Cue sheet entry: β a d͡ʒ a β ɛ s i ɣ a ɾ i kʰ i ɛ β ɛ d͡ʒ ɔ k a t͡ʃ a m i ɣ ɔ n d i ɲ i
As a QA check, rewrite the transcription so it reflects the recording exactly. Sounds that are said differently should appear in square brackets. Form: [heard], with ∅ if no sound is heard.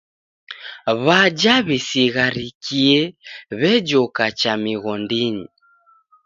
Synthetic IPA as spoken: β a d͡ʒ a β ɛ s i ɣ a ɾ i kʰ i ɛ β ɛ d͡ʒ ɔ k a t͡ʃ a m i ɣ ɔ n d i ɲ i